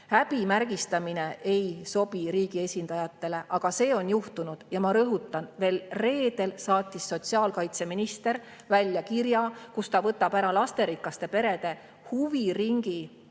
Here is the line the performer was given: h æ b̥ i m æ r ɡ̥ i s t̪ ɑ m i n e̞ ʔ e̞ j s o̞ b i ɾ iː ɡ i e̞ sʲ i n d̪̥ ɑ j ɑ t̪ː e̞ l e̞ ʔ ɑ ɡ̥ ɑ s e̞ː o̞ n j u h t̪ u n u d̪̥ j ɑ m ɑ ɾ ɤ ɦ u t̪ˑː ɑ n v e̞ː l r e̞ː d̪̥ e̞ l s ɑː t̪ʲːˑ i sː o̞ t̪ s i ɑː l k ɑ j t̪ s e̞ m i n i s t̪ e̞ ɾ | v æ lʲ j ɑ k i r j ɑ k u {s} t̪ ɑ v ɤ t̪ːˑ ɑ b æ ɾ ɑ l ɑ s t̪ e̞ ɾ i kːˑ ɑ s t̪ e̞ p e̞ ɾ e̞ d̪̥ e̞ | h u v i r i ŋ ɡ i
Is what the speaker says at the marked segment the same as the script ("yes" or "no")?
yes